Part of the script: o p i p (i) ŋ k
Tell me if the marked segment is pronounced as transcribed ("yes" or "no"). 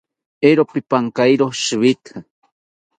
no